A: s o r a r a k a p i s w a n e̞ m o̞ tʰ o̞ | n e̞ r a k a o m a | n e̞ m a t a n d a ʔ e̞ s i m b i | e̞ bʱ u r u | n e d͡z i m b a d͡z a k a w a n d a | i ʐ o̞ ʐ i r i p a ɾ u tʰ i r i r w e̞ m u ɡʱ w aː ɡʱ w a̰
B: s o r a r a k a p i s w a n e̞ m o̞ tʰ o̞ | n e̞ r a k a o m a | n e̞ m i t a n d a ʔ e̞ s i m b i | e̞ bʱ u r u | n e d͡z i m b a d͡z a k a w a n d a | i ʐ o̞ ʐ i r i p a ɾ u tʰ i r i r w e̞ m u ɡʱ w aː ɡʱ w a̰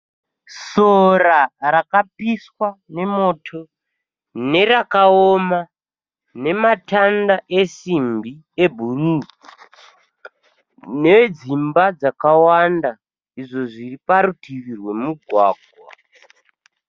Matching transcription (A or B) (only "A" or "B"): A